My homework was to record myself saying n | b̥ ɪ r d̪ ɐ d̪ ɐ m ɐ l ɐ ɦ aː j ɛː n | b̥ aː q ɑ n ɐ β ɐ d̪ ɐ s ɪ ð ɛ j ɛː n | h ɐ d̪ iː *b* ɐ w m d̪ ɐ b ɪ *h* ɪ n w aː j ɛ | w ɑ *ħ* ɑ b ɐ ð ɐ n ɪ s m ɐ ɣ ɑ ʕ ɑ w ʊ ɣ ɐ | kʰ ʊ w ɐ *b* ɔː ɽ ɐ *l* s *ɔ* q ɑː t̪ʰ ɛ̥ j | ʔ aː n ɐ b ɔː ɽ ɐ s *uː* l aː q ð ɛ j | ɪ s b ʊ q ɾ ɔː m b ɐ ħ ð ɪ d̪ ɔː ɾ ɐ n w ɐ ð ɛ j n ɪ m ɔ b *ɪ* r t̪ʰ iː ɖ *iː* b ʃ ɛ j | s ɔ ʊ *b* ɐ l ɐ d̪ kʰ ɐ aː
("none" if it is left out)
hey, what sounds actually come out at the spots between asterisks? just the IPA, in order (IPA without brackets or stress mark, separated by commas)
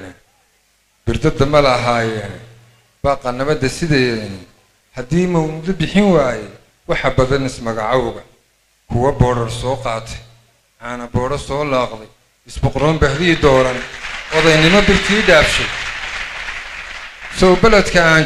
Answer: m, ħ, ħ, b, r, ɔː, ɔː, ɪ, aː, b